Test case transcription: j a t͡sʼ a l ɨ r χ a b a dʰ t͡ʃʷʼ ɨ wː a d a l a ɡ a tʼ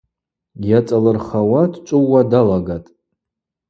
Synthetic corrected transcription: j a t͡sʼ a l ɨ r χ a w a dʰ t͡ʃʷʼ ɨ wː a d a l a ɡ a tʼ